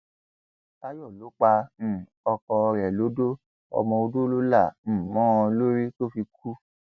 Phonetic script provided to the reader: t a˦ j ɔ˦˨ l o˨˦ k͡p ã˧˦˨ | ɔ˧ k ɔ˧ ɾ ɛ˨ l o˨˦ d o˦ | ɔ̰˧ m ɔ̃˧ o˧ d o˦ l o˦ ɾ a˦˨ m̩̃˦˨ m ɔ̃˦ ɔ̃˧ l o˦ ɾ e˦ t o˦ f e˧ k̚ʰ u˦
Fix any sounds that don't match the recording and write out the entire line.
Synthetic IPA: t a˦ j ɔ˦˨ l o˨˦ k͡p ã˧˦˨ | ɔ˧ k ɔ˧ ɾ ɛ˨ l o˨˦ d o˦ | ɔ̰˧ m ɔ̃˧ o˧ d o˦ l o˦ l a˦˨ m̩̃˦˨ m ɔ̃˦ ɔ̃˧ l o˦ ɾ i˦ t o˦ f i˧ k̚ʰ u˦